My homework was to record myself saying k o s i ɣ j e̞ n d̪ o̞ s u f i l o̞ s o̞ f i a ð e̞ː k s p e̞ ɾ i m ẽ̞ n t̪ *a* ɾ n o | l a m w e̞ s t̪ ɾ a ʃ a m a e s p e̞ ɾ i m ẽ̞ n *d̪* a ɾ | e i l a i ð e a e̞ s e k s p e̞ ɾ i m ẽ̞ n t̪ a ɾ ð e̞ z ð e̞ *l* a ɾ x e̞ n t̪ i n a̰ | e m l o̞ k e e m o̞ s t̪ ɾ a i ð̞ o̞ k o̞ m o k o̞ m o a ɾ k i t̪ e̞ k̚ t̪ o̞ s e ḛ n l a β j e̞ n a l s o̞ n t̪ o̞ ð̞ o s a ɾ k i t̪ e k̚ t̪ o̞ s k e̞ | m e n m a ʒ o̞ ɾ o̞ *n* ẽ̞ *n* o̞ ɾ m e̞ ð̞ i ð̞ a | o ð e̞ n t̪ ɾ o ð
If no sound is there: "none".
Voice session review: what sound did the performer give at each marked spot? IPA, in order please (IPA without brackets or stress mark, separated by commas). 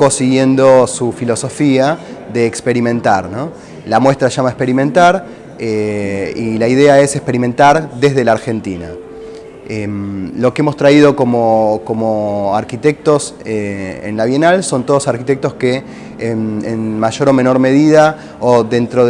a, t̪, l, m, n